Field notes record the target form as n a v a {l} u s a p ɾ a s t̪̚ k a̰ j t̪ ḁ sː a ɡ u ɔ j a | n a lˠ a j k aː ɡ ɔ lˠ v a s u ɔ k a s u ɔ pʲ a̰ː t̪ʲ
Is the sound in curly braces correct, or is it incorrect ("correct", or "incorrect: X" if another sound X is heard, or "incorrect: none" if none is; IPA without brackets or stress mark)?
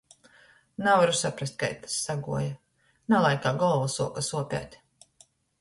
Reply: incorrect: ɾ